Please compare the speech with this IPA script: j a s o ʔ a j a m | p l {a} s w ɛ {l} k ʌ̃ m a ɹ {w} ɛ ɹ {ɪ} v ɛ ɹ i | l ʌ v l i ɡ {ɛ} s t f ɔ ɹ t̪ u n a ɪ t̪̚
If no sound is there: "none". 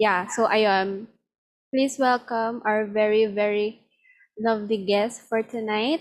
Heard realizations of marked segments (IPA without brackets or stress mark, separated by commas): i, l, v, i, ɛ